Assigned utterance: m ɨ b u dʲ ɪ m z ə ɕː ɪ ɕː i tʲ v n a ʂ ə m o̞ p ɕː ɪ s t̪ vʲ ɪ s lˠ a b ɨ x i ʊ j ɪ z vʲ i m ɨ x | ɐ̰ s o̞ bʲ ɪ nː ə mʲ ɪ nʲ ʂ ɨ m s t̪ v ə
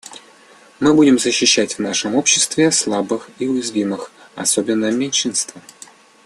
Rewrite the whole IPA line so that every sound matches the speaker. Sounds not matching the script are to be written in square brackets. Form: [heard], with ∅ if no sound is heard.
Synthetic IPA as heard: m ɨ b u dʲ ɪ m z ə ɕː ɪ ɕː [æ] tʲ v n a ʂ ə m o̞ p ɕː ɪ s t̪ vʲ ɪ s lˠ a b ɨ x i ʊ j ɪ z vʲ i m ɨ x | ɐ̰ s o̞ bʲ ɪ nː ə mʲ ɪ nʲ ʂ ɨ [n] s t̪ v ə